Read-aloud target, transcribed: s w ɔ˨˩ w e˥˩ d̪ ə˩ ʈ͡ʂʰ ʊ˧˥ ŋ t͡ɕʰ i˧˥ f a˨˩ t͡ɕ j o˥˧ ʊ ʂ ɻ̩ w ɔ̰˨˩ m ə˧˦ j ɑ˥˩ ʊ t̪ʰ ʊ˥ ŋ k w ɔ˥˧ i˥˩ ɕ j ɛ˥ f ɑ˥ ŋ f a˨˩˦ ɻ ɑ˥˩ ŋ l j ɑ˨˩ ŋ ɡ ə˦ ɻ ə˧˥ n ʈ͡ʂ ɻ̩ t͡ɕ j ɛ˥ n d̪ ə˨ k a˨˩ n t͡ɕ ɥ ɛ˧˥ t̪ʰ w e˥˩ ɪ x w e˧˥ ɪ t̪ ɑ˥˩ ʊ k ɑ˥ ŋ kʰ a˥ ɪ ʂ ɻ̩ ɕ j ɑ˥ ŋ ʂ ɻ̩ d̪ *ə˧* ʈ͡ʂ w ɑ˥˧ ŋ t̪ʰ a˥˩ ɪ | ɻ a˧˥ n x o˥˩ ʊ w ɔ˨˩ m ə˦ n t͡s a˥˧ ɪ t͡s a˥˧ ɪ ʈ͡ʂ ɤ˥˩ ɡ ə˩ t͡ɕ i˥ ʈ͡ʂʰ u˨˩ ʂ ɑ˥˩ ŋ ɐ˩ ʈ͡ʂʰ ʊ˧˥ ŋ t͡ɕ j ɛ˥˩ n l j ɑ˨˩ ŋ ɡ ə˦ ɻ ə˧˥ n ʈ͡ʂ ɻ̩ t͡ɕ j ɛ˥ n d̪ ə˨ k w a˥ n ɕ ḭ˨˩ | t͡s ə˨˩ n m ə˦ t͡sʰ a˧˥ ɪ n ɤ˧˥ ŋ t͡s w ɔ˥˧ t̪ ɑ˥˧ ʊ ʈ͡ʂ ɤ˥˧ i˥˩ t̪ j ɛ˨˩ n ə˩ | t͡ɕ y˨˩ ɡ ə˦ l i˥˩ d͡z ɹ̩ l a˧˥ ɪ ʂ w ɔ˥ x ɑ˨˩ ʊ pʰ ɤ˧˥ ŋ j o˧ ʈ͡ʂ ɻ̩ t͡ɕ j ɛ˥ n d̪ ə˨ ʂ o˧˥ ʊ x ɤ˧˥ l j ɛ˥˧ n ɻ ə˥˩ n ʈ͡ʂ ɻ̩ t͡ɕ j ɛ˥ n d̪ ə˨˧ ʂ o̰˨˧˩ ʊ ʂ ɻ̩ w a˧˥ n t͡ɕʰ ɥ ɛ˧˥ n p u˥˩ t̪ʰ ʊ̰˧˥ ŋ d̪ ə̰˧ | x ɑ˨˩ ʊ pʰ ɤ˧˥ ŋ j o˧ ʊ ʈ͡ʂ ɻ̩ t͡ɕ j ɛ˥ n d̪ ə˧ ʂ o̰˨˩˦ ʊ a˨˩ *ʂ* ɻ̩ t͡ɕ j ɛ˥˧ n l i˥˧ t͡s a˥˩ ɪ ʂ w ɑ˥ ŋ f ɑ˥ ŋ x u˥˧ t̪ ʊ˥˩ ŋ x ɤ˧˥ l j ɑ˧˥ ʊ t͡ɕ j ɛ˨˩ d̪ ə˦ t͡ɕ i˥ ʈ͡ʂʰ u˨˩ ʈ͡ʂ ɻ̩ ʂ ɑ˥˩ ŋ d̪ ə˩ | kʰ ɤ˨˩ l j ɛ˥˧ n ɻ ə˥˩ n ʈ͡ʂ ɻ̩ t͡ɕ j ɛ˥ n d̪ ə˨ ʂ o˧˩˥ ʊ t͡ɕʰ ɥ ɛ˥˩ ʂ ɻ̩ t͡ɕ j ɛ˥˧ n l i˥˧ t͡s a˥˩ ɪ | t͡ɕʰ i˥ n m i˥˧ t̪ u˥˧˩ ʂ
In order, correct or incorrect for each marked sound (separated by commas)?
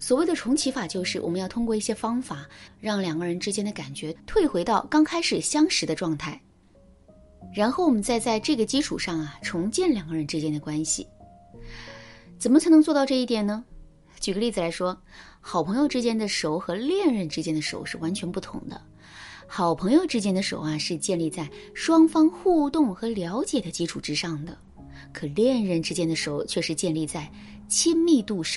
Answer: correct, correct